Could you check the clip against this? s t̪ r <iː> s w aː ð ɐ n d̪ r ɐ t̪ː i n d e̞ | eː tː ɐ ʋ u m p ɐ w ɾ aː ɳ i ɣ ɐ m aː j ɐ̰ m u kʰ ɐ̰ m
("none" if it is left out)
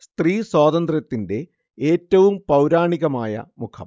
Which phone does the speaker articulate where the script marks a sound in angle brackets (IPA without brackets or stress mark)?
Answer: iː